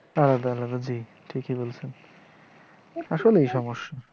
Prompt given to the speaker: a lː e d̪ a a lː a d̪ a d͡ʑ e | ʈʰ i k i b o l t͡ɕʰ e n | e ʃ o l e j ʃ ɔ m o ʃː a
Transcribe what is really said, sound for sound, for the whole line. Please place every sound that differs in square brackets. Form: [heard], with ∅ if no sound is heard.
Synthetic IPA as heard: a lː [a] d̪ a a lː a d̪ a d͡ʑ [i] | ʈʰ i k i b o l t͡ɕʰ e n | [a] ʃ o l e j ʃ ɔ m o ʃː a